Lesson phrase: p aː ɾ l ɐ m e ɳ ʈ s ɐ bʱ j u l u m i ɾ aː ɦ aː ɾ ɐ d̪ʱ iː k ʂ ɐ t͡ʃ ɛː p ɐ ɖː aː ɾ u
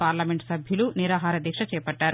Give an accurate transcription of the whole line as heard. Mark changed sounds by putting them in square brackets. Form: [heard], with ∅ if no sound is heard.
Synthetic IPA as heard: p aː ɾ l ɐ m e ɳ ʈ s ɐ bʱ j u l u [n] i ɾ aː ɦ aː ɾ ɐ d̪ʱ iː k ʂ ɐ t͡ʃ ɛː p ɐ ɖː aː ɾ u